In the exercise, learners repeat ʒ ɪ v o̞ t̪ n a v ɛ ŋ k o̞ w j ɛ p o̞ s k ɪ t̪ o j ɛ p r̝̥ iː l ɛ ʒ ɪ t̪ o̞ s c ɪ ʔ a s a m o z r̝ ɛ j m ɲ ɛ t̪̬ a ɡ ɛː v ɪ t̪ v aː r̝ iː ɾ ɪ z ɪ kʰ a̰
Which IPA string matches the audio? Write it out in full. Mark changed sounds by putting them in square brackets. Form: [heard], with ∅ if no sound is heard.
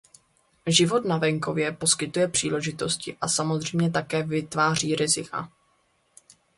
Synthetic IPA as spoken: ʒ ɪ v o̞ t̪ n a v ɛ ŋ k o̞ [v] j ɛ p o̞ s k ɪ t̪ [u] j ɛ p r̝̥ iː l ɛ ʒ ɪ t̪ o̞ s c ɪ ʔ a s a m o z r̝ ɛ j m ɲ ɛ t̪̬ a [k] ɛː v ɪ t̪ v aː r̝ iː ɾ ɪ z ɪ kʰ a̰